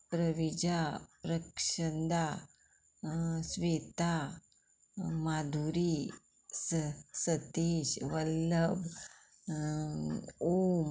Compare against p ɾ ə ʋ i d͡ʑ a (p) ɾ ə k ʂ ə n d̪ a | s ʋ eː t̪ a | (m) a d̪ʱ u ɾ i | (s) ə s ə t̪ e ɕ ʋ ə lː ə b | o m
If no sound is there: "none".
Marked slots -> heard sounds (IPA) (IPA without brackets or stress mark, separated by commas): p, m, s